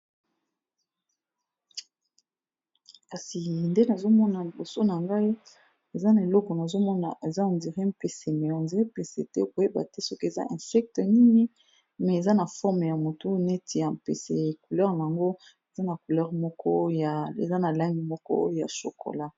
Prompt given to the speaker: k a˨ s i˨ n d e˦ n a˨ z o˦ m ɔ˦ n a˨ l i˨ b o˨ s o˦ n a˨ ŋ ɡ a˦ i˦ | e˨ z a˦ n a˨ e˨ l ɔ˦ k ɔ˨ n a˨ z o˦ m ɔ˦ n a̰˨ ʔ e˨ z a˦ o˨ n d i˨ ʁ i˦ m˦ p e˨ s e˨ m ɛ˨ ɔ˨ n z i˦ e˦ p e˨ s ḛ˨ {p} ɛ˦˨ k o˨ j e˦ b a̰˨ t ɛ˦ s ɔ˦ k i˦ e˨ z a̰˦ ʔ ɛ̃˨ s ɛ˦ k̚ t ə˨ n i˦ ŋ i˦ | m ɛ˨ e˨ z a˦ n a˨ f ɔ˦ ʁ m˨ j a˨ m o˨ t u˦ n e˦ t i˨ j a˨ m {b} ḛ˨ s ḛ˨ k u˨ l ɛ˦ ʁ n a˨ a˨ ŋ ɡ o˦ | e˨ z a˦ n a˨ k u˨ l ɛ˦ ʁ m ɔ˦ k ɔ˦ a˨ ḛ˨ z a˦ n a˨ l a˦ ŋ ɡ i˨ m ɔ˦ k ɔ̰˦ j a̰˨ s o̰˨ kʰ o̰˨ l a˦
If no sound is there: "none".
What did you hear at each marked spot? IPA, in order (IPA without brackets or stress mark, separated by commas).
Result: t, p